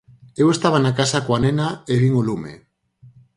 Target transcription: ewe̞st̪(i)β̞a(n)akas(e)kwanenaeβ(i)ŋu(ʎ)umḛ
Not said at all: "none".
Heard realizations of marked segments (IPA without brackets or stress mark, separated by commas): a, n, a, i, l